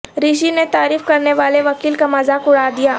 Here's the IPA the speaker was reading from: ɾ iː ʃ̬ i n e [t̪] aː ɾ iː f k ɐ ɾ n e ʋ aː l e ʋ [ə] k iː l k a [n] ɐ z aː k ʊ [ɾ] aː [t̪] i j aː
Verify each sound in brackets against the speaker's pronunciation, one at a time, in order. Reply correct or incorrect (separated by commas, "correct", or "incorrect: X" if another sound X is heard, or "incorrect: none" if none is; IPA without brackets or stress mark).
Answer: correct, incorrect: ɐ, incorrect: m, incorrect: ɽ, incorrect: d̪